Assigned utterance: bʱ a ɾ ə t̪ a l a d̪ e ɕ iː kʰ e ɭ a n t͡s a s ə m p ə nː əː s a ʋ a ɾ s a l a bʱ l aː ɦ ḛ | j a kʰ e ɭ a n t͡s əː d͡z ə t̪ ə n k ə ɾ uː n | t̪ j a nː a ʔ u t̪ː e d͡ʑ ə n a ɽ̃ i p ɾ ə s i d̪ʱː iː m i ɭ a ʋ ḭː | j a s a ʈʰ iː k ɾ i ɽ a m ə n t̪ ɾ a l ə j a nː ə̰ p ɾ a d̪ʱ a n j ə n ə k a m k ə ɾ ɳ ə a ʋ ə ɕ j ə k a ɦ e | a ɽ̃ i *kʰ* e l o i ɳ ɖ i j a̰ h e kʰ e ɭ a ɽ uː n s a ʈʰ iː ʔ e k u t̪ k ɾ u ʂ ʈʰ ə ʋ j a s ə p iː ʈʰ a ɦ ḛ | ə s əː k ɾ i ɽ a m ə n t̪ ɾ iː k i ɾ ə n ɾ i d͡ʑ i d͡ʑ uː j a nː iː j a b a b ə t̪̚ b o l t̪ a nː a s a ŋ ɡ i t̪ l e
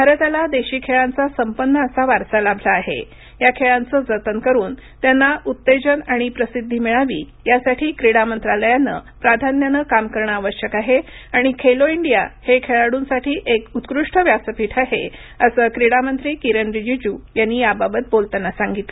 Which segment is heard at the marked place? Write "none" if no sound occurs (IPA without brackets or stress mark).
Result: kʰ